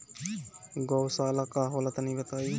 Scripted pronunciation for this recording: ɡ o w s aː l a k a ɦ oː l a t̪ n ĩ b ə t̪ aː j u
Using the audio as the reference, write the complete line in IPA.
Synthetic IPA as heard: ɡ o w s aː l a k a ɦ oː l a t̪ n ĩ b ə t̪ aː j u